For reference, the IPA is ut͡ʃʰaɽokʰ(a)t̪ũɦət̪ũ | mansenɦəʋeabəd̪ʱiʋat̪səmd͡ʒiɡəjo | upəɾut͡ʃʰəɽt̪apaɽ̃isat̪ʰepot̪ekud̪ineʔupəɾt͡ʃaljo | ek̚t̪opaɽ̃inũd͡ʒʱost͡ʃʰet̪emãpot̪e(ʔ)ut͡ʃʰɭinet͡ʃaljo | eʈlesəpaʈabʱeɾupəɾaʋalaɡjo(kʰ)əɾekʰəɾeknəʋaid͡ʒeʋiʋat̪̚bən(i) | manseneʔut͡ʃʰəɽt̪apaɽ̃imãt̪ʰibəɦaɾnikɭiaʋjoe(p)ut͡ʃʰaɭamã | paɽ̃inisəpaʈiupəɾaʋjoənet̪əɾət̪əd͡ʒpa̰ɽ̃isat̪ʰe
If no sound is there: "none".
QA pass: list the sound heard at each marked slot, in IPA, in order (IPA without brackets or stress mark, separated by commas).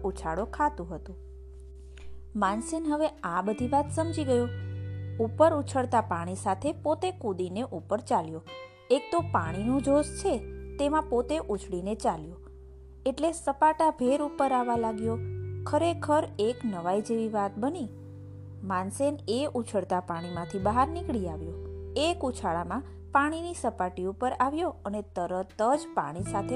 a, ʔ, kʰ, i, k